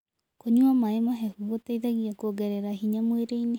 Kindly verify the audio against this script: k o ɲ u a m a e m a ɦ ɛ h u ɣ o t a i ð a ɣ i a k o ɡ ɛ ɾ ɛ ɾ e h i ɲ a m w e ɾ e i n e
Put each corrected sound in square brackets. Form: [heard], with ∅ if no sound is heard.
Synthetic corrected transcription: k o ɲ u a m a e m a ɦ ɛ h u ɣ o t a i ð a ɣ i a k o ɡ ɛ ɾ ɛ ɾ [a] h i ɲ a m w e ɾ e i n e